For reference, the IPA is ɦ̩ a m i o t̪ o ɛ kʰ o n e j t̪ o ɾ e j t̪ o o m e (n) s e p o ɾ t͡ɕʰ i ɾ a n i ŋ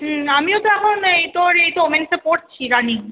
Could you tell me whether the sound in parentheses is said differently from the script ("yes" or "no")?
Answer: no